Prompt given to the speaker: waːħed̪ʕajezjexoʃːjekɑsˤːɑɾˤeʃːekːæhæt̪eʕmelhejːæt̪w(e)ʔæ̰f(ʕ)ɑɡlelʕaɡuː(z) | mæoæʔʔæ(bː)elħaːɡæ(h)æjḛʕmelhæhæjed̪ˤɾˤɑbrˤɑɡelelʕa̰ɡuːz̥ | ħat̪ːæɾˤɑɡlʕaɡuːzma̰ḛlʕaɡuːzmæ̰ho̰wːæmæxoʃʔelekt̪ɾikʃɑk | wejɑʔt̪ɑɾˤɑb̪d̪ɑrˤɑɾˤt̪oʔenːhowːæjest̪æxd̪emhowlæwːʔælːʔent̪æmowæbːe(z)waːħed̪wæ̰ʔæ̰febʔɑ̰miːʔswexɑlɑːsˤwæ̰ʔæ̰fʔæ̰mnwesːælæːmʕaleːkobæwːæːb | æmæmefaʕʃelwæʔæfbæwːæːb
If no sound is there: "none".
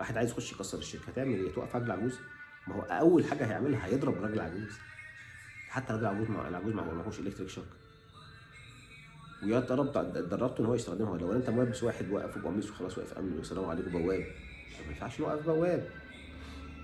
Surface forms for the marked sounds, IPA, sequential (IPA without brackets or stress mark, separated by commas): æ, ʕ, z, wː, h, s